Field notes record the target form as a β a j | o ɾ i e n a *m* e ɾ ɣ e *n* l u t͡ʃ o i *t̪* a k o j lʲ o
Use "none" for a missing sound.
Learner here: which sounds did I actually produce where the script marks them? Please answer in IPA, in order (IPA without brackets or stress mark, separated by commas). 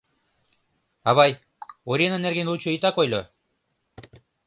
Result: n, n, t̪